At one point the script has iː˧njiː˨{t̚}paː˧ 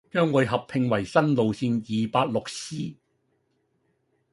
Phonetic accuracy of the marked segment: incorrect: none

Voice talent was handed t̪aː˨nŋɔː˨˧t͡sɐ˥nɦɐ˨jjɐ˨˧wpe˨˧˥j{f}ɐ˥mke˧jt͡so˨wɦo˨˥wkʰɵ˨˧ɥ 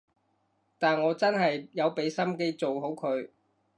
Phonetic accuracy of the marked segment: incorrect: s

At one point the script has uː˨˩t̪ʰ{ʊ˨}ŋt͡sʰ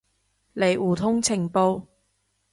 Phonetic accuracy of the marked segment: incorrect: ʊ˥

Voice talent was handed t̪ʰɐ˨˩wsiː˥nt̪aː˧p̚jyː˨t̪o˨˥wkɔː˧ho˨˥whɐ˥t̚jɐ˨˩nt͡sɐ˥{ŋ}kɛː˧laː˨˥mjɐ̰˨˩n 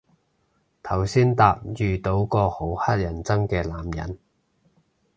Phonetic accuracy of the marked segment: correct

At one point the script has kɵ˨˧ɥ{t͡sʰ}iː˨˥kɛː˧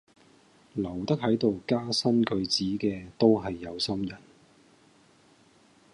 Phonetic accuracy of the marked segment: incorrect: t͡s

